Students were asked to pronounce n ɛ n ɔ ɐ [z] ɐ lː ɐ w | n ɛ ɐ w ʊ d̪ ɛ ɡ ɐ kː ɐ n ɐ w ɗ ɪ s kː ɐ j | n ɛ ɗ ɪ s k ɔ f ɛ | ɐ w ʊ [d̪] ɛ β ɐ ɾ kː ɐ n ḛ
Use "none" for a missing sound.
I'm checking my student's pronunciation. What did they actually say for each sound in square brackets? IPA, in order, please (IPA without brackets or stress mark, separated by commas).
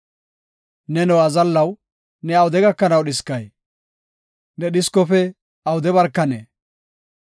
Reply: z, d̪